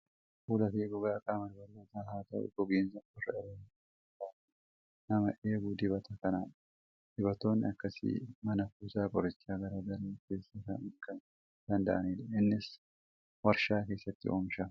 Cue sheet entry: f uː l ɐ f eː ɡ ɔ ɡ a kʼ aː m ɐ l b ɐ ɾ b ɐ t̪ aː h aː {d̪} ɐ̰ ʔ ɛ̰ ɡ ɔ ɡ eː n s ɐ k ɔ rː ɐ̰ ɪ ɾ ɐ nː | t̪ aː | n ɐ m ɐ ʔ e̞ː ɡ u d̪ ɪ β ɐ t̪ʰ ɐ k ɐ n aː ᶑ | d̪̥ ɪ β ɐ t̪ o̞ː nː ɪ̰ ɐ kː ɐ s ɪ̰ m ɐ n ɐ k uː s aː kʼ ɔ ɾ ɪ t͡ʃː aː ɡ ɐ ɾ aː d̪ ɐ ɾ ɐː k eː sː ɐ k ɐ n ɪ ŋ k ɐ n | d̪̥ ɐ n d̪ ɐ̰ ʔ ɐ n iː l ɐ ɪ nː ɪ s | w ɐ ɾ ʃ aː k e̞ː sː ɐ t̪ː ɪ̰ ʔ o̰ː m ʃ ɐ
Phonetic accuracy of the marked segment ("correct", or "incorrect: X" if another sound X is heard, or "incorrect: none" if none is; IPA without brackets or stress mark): incorrect: t̪